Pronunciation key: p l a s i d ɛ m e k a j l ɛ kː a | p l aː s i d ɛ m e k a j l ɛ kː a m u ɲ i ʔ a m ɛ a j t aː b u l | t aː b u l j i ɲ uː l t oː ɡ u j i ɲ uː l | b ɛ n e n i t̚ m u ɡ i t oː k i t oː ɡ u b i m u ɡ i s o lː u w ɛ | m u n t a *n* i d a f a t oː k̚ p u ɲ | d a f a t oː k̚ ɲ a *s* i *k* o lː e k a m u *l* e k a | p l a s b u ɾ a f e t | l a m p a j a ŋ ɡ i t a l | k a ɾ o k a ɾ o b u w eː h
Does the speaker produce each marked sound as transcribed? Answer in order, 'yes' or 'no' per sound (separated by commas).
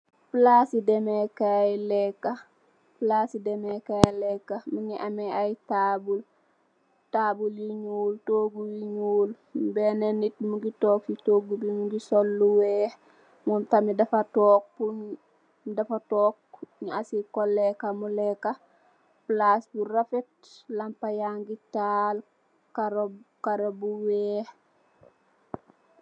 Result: no, yes, yes, yes